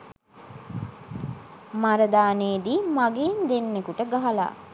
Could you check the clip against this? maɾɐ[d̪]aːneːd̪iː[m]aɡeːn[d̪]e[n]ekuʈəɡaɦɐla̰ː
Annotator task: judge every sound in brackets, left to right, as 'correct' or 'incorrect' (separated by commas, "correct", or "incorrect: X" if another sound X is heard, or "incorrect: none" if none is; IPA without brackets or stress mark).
correct, correct, correct, incorrect: nː